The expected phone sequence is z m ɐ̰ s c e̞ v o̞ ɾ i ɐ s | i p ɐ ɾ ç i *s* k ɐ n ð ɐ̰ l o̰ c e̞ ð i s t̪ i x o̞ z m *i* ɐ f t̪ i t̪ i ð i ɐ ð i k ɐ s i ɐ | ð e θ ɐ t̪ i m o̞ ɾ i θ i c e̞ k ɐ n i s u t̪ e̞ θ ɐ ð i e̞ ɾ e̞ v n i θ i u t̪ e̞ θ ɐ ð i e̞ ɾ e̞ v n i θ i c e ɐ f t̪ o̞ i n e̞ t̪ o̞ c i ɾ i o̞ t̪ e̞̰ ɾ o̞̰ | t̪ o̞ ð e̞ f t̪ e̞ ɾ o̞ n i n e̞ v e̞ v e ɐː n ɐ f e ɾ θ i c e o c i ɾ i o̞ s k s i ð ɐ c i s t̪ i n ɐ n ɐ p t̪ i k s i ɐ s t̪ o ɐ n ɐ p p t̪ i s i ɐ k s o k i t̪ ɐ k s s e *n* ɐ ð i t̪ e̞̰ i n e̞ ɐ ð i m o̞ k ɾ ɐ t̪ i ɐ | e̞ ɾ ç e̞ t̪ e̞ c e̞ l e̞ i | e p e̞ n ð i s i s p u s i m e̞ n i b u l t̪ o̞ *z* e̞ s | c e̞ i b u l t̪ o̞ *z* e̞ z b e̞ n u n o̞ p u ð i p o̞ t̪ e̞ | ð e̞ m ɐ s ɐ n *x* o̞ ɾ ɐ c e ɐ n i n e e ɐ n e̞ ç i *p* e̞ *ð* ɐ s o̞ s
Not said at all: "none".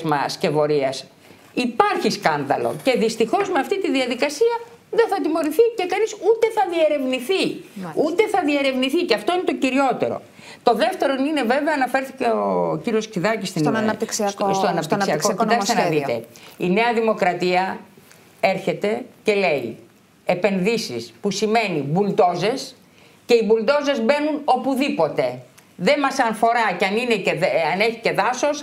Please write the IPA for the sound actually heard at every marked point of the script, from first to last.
s, e, n, z, z, f, c, ð

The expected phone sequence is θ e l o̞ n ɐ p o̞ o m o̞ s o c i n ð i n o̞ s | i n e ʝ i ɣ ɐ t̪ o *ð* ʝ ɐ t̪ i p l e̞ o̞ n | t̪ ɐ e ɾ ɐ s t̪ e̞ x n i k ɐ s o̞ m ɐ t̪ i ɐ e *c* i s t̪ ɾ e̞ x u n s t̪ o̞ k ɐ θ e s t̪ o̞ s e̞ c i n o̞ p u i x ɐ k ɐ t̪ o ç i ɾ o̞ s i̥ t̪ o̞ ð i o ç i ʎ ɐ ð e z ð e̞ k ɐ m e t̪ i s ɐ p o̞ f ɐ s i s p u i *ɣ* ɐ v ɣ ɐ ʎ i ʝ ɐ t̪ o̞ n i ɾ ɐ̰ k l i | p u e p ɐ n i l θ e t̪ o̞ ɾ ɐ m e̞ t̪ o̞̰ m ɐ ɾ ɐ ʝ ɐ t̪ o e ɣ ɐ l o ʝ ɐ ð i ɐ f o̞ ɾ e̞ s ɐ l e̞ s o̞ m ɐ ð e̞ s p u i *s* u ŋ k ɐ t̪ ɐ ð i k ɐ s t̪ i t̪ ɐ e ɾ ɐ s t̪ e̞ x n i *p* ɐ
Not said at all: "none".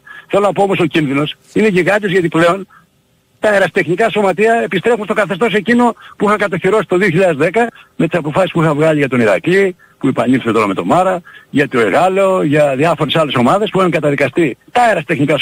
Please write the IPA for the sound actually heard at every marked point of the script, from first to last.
z, p, x, x, k

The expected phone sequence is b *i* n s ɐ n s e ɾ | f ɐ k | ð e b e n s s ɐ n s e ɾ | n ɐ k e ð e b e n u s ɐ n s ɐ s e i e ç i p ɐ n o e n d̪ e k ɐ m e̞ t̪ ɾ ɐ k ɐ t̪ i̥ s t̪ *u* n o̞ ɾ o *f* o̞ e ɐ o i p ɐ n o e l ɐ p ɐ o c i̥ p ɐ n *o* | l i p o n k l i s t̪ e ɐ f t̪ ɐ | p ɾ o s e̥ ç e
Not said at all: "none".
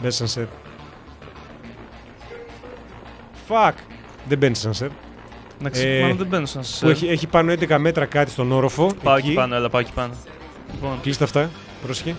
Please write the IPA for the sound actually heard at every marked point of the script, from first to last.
e, o, f, o

